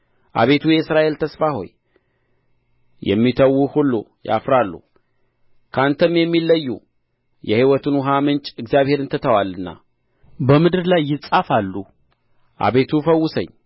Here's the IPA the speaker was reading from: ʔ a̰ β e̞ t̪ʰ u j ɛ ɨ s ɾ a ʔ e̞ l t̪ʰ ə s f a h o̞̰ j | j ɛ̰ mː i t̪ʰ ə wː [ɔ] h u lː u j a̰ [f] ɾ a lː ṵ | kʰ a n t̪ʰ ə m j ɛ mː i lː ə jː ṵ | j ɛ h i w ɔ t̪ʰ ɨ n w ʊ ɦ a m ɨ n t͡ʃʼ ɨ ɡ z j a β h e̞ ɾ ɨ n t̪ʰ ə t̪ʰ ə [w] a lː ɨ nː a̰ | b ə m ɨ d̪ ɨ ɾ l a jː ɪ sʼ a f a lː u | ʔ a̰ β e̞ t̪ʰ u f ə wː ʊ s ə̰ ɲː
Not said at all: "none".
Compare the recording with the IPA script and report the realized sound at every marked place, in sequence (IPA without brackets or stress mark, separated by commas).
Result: u, f, w